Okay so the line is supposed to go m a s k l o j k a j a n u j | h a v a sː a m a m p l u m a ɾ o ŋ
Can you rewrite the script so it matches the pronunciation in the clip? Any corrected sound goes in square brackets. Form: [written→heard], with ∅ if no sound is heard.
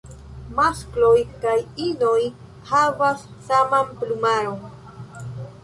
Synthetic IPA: m a s k l o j k a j [a→i] n [u→o] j | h a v a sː a m a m p l u m a ɾ o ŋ